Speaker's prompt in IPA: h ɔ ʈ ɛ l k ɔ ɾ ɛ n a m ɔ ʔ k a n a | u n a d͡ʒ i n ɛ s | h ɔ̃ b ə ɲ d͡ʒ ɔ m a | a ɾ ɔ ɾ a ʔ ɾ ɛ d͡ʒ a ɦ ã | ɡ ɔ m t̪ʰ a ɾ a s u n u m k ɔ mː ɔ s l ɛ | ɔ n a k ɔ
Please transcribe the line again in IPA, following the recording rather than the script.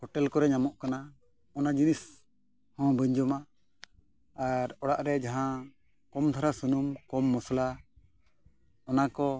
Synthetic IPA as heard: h ɔ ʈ ɛ l k ɔ ɾ ɛ ɲ a m ɔ ʔ k a n a | ɔ n a d͡ʒ i n i s | h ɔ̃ b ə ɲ d͡ʒ ɔ m a | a ɾ ɔ ɽ a ʔ ɾ ɛ d͡ʒ a ɦ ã | k ɔ m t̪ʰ a ɾ a s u n u m k ɔ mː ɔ s l a | ɔ n a k ɔ